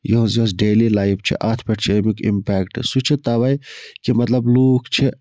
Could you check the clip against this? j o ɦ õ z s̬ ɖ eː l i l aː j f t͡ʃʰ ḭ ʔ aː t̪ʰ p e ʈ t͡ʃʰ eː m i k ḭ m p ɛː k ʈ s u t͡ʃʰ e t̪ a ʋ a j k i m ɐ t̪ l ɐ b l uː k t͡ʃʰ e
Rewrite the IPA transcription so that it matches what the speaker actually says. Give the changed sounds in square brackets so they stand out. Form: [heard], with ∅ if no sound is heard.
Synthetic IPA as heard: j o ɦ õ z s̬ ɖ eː l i l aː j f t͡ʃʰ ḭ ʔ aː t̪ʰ p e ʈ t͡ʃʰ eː m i k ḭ m p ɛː k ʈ s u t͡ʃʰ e t̪ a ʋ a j k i m ɐ t̪ l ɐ b l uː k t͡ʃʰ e